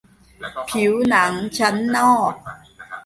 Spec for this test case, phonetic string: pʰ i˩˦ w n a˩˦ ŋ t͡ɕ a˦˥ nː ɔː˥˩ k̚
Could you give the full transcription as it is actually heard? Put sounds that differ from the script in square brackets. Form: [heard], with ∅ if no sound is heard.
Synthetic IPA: pʰ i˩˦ w n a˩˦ ŋ [t͡ɕʰ] a˦˥ nː ɔː˥˩ k̚